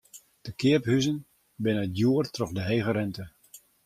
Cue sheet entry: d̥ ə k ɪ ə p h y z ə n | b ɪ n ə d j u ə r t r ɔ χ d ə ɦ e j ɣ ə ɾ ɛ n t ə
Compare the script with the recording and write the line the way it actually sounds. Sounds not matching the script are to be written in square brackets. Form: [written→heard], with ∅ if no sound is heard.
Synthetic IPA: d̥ ə k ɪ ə p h y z ə n | b ɪ n ə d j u ə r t r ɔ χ d ə ɦ e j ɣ ə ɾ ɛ n t ə